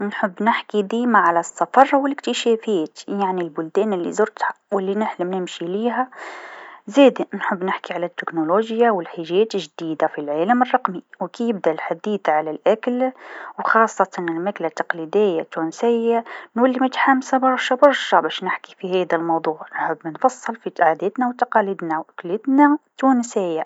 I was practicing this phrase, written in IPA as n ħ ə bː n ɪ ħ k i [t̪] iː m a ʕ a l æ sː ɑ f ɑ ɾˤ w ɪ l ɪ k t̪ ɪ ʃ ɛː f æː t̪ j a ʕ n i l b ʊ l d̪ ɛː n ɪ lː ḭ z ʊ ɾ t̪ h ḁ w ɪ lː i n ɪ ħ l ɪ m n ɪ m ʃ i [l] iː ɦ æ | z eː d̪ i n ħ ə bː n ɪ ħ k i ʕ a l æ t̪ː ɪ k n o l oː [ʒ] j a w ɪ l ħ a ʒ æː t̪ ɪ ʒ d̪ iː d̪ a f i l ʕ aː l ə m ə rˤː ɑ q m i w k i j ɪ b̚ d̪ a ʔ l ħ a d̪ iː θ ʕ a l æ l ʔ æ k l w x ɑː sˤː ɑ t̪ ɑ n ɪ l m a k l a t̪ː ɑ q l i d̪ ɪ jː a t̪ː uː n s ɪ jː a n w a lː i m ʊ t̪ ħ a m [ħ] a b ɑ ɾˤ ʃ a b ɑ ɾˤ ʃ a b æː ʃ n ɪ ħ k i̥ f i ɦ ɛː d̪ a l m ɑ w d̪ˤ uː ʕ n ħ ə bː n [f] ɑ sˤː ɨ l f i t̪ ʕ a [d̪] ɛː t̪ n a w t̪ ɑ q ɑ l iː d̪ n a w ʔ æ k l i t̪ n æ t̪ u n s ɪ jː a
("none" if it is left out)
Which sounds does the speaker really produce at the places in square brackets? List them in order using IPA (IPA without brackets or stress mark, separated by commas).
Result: d̪, l, ʒ, s, f, d̪